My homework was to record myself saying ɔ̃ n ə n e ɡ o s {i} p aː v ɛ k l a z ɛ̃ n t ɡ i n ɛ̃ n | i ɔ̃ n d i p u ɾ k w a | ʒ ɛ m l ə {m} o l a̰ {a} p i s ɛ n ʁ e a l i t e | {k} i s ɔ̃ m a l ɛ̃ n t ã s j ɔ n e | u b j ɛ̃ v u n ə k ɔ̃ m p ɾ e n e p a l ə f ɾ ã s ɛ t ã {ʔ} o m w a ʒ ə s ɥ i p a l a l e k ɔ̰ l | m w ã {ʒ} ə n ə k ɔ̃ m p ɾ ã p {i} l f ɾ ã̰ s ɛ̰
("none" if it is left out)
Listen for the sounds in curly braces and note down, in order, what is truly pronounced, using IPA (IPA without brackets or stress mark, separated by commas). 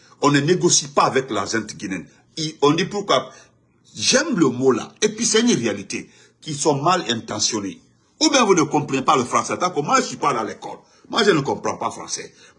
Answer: i, m, e, k, k, ʒ, a